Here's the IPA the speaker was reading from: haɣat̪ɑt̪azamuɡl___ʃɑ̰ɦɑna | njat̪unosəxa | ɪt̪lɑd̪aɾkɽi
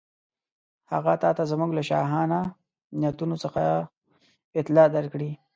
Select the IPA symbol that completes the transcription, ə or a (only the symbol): a